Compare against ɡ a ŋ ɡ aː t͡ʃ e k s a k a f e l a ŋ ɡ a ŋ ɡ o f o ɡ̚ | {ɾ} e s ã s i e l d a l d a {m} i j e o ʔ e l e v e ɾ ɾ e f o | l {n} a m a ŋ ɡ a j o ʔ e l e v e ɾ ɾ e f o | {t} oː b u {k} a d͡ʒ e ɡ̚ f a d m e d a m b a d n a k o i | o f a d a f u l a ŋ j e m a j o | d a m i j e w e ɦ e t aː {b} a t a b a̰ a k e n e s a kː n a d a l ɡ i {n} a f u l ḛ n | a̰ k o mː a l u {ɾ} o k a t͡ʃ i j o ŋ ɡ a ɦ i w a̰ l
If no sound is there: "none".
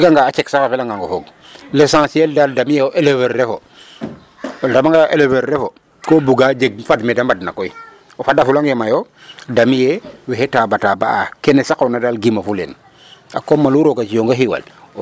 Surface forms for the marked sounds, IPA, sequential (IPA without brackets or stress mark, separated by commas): l, m, d, k, ɡ, b, m, ɾ